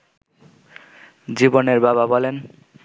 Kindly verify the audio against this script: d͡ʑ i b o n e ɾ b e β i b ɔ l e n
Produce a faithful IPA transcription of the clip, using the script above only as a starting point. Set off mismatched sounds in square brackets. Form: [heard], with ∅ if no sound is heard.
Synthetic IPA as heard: d͡ʑ i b o n e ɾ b [a] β [a] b ɔ l e n